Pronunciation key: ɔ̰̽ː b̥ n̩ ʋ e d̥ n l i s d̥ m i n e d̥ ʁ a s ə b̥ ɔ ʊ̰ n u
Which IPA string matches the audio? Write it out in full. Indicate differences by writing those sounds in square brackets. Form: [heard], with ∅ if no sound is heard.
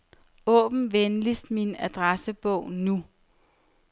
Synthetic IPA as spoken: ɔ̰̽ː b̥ n̩ ʋ e [∅] n l i s d̥ m i n [æ] d̥ ʁ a s ə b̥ ɔ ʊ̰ n u